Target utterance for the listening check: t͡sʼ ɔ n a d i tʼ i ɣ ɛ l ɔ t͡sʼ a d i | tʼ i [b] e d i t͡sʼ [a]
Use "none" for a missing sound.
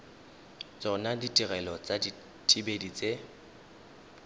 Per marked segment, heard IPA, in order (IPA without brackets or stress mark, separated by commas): b, e